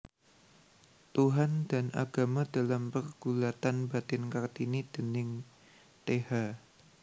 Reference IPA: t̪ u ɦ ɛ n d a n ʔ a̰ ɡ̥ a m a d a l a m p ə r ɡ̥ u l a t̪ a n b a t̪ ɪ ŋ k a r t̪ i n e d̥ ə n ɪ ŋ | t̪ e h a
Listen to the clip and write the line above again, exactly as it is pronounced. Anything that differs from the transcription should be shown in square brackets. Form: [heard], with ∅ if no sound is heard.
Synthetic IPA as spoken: t̪ u ɦ [a] n d a n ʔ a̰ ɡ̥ a m a d a l a m p ə r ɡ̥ u l a t̪ a n b a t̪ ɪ [n] k a r t̪ i n [i] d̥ ə n ɪ ŋ | t̪ e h a